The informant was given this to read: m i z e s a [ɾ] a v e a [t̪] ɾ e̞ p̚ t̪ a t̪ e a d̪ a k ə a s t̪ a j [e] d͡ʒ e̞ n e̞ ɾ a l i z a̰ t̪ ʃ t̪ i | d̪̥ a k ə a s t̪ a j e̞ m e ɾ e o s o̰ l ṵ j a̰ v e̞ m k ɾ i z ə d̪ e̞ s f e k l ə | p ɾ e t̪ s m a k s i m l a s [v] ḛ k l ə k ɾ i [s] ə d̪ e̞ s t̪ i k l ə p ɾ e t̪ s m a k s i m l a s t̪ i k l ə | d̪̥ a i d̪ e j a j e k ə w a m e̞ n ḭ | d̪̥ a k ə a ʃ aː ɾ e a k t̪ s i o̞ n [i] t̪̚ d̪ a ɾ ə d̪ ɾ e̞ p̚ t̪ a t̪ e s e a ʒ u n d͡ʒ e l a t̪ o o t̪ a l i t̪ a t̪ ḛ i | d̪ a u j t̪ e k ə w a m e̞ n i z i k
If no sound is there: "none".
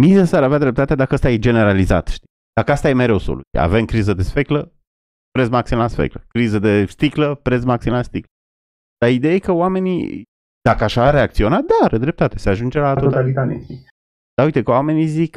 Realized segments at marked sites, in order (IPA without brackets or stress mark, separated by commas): ɾ, d̪, e, f, z, a